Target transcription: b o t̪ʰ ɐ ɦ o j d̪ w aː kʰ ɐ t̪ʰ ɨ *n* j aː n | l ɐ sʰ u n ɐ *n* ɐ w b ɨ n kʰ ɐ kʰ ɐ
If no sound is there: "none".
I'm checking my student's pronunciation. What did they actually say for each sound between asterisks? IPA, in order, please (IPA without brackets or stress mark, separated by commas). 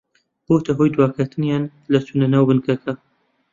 n, n